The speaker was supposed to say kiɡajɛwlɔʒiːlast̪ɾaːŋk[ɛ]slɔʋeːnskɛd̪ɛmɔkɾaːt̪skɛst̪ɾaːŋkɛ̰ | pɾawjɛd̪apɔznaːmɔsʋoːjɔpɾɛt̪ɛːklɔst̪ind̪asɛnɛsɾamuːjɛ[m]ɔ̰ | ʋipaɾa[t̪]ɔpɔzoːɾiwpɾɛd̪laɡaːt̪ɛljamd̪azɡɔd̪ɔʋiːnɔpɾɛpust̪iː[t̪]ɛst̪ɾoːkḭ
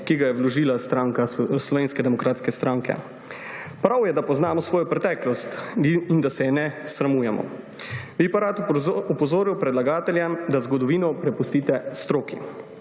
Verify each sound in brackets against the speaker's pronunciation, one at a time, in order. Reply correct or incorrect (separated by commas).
incorrect, correct, correct, correct